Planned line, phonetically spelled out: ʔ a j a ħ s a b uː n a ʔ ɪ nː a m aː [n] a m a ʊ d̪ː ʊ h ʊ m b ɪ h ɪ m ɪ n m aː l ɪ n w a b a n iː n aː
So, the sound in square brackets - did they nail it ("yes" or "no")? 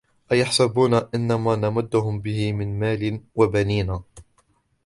yes